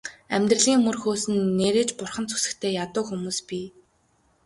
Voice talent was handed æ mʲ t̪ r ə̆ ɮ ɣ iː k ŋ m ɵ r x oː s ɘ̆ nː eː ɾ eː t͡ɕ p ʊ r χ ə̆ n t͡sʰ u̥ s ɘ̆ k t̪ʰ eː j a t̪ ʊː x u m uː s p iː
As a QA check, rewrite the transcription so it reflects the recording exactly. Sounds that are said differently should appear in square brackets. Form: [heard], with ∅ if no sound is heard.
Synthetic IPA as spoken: æ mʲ t̪ r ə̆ ɮ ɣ iː [∅] ŋ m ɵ r x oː s ɘ̆ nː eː ɾ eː t͡ɕ p ʊ r χ ə̆ n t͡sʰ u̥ s ɘ̆ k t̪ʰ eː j a t̪ ʊː x u m uː s p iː